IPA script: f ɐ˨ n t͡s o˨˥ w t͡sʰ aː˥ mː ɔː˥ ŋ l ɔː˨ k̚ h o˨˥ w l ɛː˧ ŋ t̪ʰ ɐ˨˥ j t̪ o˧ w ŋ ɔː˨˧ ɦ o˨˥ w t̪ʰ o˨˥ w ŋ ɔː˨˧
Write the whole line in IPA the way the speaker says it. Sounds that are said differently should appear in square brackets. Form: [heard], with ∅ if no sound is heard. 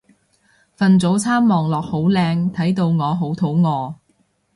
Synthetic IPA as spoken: f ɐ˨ n t͡s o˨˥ w t͡sʰ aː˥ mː [ɔː˨] ŋ l ɔː˨ k̚ h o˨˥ w l ɛː˧ ŋ t̪ʰ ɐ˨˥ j t̪ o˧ w ŋ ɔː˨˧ ɦ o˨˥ w t̪ʰ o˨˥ w ŋ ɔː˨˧